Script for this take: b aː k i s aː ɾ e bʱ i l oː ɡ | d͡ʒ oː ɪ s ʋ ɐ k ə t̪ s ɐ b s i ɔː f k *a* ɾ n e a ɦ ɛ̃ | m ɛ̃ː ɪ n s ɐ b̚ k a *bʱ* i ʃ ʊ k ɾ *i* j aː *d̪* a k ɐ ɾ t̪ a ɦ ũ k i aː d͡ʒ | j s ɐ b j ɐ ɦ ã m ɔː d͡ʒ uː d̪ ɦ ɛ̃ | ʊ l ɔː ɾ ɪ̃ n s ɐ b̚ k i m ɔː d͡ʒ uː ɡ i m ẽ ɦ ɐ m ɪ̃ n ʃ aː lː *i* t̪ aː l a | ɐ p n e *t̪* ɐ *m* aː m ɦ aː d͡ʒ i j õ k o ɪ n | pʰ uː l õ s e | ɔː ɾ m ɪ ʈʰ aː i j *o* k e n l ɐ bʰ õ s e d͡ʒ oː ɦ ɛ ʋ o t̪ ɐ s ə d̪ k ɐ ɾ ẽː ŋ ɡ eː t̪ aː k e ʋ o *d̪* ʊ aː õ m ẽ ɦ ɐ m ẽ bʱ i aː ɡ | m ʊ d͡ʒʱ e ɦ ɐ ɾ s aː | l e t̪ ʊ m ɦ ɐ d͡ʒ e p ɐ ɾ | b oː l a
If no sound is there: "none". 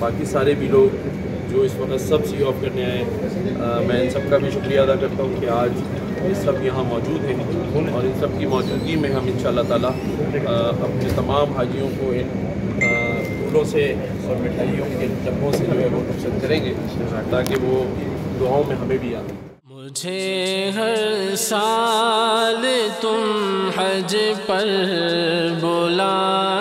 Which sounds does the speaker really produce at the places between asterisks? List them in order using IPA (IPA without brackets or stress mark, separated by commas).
ɐ, bʱ, i, d̪, a, t̪, m, õ, d̪